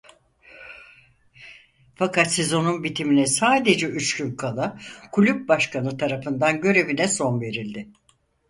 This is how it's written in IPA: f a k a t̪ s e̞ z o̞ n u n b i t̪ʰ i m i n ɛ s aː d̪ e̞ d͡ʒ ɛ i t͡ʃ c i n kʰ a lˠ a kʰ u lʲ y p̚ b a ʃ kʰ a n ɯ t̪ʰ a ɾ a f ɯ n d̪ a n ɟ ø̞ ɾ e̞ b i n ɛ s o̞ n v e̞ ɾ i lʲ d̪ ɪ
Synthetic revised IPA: f a k a t̪ s e̞ z o̞ n u n b i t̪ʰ i m i n ɛ s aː d̪ e̞ d͡ʒ ɛ y t͡ʃ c y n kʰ a lˠ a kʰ u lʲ y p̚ b a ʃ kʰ a n ɯ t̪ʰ a ɾ a f ɯ n d̪ a n ɟ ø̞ ɾ e̞ v i n ɛ s o̞ n v e̞ ɾ i lʲ d̪ ɪ

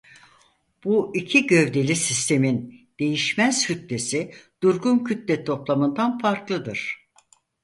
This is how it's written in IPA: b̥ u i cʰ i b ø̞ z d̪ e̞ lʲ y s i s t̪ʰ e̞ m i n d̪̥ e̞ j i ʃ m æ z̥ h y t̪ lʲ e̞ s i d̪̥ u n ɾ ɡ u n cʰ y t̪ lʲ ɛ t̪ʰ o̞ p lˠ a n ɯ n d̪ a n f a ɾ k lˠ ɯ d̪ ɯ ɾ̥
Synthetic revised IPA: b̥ u i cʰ i ɟ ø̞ v d̪ e̞ lʲ i s i s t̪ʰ e̞ m i n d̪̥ e̞ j i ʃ m æ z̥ h y t̪ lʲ e̞ s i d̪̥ u ɾ ɡ u n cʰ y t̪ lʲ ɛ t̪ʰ o̞ p lˠ a m ɯ n d̪ a n f a ɾ k lˠ ɯ d̪ ɯ ɾ̥

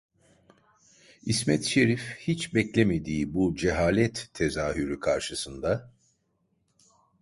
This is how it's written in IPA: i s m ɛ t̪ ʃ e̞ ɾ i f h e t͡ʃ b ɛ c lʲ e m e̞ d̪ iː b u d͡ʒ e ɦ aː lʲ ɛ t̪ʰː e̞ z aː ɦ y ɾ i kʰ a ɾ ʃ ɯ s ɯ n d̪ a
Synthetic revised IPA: i s m ɛ t̪ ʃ e̞ ɾ i f h i t͡ʃ b ɛ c lʲ e m e̞ d̪ iː b u d͡ʒ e ɦ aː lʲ ɛ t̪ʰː e̞ z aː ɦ y ɾ y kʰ a ɾ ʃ ɯ s ɯ n d̪ a

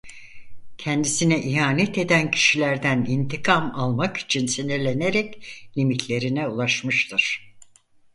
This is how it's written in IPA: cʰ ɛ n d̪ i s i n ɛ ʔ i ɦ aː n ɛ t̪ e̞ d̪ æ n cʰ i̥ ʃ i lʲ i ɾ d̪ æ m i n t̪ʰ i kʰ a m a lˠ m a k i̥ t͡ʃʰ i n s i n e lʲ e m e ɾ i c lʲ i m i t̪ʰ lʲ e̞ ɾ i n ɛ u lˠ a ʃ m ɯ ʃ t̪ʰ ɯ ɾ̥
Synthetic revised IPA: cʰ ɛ n d̪ i s i n ɛ ʔ i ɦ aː n ɛ t̪ e̞ d̪ æ n cʰ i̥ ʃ i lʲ æ ɾ d̪ æ n i n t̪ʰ i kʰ a m a lˠ m a k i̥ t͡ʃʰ i n s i n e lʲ e n e ɾ ɛ c lʲ i m i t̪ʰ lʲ e̞ ɾ i n ɛ u lˠ a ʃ m ɯ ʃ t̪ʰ ɯ ɾ̥

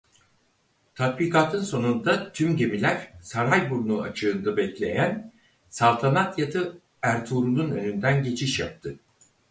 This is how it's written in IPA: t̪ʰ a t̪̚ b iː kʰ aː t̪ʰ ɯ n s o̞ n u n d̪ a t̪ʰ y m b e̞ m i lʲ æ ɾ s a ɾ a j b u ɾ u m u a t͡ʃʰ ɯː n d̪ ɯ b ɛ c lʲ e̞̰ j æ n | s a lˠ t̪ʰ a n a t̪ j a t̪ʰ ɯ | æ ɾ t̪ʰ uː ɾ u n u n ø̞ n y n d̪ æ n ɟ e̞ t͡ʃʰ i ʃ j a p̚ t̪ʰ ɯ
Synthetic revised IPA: t̪ʰ a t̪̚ b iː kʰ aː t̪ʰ ɯ n s o̞ n u n d̪ a t̪ʰ y m ɟ e̞ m i lʲ æ ɾ s a ɾ a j b u ɾ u n u a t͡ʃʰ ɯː n d̪ ɯ b ɛ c lʲ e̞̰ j æ n | s a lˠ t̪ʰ a n a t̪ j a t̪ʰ ɯ | æ ɾ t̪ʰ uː ɾ u n u n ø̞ n y n d̪ æ n ɟ e̞ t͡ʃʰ i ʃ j a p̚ t̪ʰ ɯ

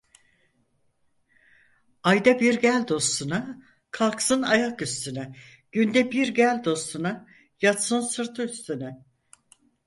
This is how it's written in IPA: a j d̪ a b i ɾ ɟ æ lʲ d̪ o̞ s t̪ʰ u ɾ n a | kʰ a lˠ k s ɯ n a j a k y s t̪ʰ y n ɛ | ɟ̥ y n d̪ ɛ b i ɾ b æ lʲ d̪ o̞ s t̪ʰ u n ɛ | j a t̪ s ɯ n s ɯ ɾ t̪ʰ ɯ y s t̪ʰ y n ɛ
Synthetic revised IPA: a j d̪ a b i ɾ ɟ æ lʲ d̪ o̞ s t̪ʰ u n a | kʰ a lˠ k s ɯ n a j a k y s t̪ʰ y n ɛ | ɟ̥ y n d̪ ɛ b i ɾ ɟ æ lʲ d̪ o̞ s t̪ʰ u n a | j a t̪ s ɯ n s ɯ ɾ t̪ʰ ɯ y s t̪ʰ y n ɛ

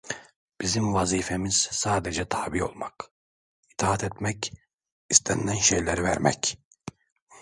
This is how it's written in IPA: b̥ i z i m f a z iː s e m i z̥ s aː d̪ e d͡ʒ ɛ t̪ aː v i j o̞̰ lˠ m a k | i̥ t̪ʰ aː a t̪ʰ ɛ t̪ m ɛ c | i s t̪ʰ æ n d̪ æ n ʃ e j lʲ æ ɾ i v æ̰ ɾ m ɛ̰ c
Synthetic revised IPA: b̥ i z i m v a z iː f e m i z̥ s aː d̪ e d͡ʒ ɛ t̪ʰ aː b i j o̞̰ lˠ m a k | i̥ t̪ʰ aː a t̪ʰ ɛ t̪ m ɛ c | i s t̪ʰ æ n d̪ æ n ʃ e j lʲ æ ɾ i v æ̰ ɾ m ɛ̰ c

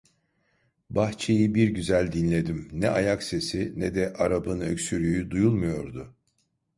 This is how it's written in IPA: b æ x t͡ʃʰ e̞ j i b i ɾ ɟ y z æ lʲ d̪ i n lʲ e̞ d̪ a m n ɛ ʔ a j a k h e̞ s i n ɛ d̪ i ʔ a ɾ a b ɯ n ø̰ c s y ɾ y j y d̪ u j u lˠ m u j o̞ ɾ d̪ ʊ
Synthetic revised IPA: b a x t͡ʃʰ e̞ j i b i ɾ ɟ y z æ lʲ d̪ i n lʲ e̞ d̪ i m n ɛ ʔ a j a k s e̞ s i n ɛ d̪ ɛ ʔ a ɾ a b ɯ n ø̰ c s y ɾ y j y d̪ u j u lˠ m u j o̞ ɾ d̪ ʊ

